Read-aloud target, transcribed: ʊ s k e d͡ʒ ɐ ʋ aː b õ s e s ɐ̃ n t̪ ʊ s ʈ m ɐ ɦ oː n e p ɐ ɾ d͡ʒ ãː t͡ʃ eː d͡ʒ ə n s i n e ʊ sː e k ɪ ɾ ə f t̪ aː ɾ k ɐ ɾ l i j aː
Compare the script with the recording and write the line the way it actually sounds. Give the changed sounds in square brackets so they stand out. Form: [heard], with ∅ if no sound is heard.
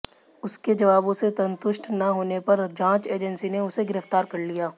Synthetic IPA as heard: ʊ s k e d͡ʒ ɐ ʋ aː b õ s e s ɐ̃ n t̪ ʊ [ʃ] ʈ [n] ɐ ɦ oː n e p ɐ ɾ d͡ʒ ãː t͡ʃ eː d͡ʒ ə n s i n e ʊ [s] e [ɡ] ɪ ɾ ə f t̪ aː ɾ k ɐ ɾ l i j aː